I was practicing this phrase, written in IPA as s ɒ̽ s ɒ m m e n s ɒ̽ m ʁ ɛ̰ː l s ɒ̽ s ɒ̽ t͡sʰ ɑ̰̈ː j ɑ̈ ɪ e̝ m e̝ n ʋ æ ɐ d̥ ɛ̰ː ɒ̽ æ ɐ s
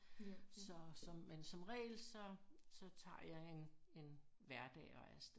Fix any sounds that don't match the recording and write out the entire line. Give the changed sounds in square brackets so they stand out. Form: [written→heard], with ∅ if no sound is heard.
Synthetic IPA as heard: s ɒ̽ s ɒ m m e n s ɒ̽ m ʁ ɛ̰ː l s ɒ̽ s ɒ̽ t͡sʰ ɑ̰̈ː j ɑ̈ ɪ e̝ [m→n] e̝ n ʋ æ ɐ d̥ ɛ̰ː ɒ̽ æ ɐ s

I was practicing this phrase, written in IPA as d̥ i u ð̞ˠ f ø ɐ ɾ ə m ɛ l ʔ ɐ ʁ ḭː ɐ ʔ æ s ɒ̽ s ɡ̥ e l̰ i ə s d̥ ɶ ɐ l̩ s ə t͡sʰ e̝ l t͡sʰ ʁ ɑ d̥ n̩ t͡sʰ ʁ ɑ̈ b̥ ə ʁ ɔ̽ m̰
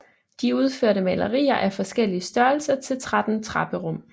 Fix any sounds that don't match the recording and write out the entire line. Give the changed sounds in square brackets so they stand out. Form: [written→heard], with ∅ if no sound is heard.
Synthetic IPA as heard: d̥ i u ð̞ˠ f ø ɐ ɾ ə m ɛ l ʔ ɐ ʁ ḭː ɐ ʔ æ [s→f] ɒ̽ s ɡ̥ e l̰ i ə s d̥ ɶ ɐ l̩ s [ə→ɐ] t͡sʰ e̝ l t͡sʰ ʁ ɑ d̥ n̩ t͡sʰ ʁ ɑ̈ b̥ ə ʁ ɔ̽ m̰

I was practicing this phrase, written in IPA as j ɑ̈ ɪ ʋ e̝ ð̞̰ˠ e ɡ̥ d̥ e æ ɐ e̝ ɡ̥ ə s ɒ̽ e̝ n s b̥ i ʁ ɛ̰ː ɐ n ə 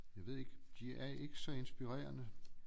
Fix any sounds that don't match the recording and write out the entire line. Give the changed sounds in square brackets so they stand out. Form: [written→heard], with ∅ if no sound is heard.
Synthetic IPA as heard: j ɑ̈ ɪ ʋ e̝ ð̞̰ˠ e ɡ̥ d̥ [e→i] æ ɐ e̝ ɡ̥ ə s ɒ̽ e̝ n s b̥ i ʁ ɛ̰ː ɐ n ə

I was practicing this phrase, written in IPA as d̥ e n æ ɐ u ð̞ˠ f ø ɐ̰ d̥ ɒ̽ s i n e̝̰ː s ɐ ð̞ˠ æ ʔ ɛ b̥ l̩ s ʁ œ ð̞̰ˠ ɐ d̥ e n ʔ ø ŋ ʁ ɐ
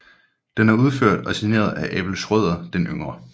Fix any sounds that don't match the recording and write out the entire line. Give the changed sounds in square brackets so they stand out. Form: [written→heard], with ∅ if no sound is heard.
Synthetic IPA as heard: d̥ e n æ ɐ u ð̞ˠ f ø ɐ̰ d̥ ɒ̽ s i n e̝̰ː [s→∅] ɐ ð̞ˠ æ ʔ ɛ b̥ l̩ s ʁ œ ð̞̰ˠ ɐ d̥ e n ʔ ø ŋ ʁ ɐ

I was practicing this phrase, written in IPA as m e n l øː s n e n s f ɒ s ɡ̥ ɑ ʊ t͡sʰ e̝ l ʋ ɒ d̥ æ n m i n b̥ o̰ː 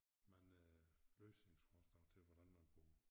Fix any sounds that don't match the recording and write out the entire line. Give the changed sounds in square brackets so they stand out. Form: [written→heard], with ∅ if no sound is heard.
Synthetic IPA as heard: m [e→æ] n l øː s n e [n→ŋ] s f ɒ s [ɡ̥→d̥] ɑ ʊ t͡sʰ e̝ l ʋ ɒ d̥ æ n m [i→æ] n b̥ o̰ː

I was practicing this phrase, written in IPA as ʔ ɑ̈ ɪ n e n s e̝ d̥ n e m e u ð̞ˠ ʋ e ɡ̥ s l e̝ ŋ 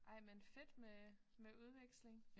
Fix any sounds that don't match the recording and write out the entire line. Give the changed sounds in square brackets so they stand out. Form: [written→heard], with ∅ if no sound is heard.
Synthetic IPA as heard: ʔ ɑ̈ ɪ [n→m] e n [s→f] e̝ d̥ [n→m] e m e u ð̞ˠ ʋ e ɡ̥ s l e̝ ŋ

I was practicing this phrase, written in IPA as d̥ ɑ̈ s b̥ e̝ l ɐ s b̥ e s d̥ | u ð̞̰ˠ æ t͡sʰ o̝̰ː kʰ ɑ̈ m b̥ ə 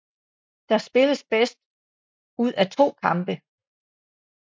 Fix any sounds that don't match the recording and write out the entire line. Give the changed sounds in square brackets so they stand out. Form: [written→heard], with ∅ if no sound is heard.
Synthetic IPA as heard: d̥ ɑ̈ s b̥ e̝ l [ɐ→ə] s b̥ e s d̥ | u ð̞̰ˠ æ t͡sʰ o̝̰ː kʰ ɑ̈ m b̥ ə

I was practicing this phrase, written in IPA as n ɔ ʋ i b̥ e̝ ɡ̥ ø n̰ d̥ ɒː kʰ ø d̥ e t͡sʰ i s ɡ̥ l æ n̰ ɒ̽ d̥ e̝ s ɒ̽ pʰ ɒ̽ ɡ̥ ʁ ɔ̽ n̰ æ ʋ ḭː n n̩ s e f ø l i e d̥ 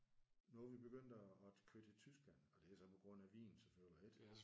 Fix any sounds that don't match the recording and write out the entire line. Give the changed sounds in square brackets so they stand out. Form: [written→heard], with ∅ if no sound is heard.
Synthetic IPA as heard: n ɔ ʋ i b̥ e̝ ɡ̥ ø n̰ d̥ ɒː kʰ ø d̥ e t͡sʰ [i→y] s ɡ̥ l æ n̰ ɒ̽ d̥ e̝ s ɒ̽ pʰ ɒ̽ ɡ̥ ʁ ɔ̽ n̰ æ ʋ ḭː n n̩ s e f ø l i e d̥

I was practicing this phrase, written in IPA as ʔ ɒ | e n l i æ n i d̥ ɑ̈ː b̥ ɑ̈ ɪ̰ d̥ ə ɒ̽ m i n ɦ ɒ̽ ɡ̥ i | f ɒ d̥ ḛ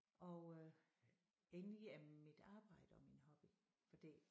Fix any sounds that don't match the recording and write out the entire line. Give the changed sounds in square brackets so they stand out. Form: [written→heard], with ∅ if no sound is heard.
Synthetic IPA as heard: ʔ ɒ | e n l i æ [n→m] i d̥ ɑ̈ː b̥ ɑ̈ ɪ̰ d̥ ə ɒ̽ m i n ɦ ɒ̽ [ɡ̥→b̥] i | f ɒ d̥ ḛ

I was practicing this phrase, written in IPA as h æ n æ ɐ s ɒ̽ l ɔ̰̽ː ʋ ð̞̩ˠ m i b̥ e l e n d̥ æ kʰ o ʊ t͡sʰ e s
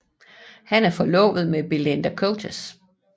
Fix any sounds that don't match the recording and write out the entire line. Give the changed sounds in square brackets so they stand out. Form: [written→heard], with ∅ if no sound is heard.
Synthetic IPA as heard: h æ n æ ɐ [s→f] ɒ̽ l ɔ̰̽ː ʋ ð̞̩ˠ m [i→e] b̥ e l e n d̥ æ kʰ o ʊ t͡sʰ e s

